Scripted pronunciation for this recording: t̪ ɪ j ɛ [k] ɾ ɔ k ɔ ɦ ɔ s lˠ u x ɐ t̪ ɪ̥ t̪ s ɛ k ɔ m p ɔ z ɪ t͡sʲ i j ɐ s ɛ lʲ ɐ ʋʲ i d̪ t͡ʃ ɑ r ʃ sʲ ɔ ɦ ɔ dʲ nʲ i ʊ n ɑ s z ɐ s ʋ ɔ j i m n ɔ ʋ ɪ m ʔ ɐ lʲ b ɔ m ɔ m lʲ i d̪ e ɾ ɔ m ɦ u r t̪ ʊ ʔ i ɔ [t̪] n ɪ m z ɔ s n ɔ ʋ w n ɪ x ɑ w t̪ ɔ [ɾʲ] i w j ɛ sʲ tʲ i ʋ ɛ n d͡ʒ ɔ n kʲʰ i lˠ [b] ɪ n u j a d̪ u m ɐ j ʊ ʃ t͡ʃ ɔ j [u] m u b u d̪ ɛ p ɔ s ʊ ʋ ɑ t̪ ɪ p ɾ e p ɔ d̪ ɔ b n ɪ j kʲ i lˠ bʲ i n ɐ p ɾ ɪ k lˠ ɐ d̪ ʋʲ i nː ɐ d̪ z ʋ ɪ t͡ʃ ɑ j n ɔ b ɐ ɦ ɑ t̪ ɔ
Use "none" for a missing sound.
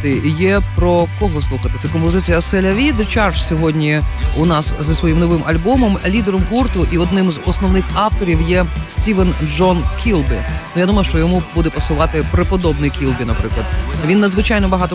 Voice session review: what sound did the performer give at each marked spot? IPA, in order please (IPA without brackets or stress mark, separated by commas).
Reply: p, d̪, ɾʲ, b, ɔ